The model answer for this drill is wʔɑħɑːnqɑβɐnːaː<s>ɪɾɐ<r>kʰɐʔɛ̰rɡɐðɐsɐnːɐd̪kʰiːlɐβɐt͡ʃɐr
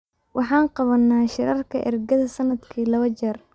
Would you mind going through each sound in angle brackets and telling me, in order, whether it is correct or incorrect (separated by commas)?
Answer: incorrect, correct